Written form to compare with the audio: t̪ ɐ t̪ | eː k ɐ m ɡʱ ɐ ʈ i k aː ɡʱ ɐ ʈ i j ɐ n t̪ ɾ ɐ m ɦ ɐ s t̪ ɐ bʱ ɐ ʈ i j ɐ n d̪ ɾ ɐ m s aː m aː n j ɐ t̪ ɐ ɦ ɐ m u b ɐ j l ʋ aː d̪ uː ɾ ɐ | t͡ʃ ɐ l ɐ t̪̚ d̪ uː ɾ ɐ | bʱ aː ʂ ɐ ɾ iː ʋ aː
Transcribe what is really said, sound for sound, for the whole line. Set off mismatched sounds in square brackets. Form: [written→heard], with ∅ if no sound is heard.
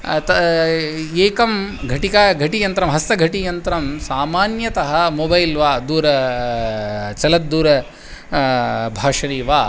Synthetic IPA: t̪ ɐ [t̪→∅] | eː k ɐ m ɡʱ ɐ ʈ i k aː ɡʱ ɐ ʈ i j ɐ n t̪ ɾ ɐ m ɦ ɐ s t̪ ɐ [bʱ→ɡʱ] ɐ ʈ i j ɐ n [d̪→t̪] ɾ ɐ m s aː m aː n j ɐ t̪ ɐ ɦ ɐ m [u→o] b ɐ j l ʋ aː d̪ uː ɾ ɐ | t͡ʃ ɐ l ɐ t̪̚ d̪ uː ɾ ɐ | bʱ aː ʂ ɐ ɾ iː ʋ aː